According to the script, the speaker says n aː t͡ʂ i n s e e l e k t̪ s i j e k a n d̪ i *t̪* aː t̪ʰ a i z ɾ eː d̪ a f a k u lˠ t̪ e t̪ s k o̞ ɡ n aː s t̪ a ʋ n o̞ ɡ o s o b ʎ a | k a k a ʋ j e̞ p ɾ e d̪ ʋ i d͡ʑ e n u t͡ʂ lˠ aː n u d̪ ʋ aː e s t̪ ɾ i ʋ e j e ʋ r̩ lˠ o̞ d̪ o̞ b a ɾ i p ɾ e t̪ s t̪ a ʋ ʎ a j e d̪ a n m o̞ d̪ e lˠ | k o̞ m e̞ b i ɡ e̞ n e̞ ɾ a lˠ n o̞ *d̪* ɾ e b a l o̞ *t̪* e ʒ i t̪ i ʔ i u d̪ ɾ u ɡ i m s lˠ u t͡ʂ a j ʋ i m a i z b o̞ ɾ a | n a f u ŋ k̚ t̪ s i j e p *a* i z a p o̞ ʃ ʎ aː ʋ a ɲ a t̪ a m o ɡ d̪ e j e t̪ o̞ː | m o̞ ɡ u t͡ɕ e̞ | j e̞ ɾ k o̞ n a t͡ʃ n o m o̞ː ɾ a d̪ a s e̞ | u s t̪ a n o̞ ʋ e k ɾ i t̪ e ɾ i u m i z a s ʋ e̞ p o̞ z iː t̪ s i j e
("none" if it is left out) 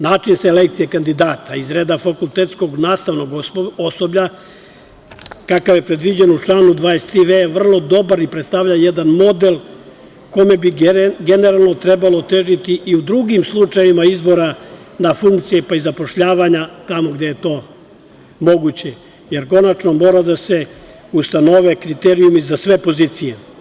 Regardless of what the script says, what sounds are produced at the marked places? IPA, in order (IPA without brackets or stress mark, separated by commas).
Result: d̪, t̪, t̪, a